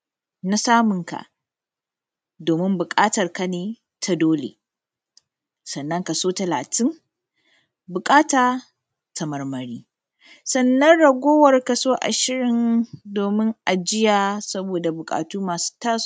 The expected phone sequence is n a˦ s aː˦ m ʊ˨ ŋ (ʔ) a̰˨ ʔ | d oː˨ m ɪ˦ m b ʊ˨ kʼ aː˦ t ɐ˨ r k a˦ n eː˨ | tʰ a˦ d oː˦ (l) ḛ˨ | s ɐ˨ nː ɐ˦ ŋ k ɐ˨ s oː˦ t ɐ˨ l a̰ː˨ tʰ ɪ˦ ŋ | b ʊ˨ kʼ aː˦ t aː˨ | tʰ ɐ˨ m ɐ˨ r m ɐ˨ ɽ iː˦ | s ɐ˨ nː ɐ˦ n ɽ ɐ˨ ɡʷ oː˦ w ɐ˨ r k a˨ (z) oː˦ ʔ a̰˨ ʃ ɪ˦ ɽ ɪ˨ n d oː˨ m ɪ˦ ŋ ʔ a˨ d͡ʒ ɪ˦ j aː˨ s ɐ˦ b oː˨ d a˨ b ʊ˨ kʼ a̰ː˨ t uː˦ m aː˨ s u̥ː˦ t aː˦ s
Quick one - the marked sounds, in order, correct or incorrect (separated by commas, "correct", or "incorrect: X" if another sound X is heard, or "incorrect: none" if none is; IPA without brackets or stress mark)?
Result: incorrect: k, correct, incorrect: s